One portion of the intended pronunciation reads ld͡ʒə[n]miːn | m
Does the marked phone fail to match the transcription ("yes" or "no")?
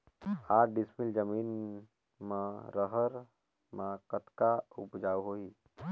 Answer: yes